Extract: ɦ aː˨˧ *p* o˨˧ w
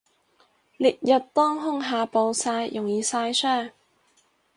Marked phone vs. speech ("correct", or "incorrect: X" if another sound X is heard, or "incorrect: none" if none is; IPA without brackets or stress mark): correct